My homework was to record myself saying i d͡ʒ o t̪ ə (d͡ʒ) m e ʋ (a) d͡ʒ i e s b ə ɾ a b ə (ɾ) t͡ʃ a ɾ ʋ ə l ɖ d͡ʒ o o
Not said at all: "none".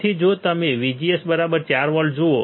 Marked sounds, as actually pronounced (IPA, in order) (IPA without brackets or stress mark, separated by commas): none, i, ɾ